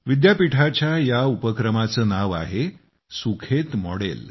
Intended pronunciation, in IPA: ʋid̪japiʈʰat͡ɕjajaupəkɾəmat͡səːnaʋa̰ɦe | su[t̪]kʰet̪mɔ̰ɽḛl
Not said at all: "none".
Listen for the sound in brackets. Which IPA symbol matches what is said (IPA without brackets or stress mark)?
none